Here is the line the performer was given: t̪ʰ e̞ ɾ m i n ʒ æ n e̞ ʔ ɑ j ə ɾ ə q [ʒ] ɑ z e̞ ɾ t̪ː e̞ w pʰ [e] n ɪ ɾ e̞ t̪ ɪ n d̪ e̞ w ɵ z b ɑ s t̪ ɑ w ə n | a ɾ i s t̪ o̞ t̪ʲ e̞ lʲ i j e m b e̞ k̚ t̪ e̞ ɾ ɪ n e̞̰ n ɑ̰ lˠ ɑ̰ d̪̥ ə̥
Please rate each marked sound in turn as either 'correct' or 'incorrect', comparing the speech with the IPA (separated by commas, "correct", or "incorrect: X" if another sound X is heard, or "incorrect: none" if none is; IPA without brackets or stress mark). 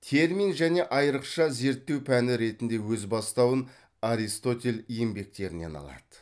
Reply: incorrect: ʃ, incorrect: æ